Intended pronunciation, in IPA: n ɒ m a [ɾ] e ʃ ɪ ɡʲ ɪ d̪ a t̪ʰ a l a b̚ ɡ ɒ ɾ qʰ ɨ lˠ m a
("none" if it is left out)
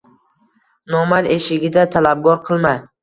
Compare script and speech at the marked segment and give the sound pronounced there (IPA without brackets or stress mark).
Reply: ɾ